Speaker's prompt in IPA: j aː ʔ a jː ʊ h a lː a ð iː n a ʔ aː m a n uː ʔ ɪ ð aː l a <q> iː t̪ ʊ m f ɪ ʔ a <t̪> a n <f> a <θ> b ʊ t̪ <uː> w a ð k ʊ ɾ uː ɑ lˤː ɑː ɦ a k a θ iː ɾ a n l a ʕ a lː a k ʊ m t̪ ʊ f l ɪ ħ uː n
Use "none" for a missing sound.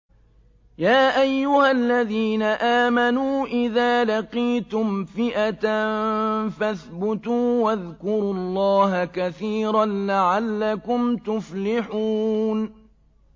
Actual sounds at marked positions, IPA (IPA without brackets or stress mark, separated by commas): q, t̪, f, θ, uː